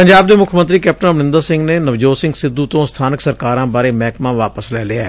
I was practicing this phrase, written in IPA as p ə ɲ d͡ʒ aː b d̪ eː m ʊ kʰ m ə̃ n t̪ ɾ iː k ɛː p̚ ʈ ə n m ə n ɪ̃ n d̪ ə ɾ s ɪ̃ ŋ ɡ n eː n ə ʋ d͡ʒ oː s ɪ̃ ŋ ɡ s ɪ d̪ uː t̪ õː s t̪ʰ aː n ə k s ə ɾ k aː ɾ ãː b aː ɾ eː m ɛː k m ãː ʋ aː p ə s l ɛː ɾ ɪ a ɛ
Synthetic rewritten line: p ə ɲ d͡ʒ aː b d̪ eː m ʊ kʰ m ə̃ n t̪ ɾ iː k ɛː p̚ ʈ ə n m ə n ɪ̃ n d̪ ə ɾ s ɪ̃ ŋ ɡ n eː n ə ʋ d͡ʒ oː s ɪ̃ ŋ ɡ s ɪ d̪ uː t̪ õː s t̪ʰ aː n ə k s ə ɾ k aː ɾ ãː b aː ɾ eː m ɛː k m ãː ʋ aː p ə s l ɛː l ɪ a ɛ